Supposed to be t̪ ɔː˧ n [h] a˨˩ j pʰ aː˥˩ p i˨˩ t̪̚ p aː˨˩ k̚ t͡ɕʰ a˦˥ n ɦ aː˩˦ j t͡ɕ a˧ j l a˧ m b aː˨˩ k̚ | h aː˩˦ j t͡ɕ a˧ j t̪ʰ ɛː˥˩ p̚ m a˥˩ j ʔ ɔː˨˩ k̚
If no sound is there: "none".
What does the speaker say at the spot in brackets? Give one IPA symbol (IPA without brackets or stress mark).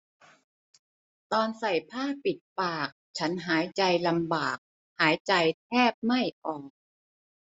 s